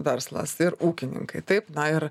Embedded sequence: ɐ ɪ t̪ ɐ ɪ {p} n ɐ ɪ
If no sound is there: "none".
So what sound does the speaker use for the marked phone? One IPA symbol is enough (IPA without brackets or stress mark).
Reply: p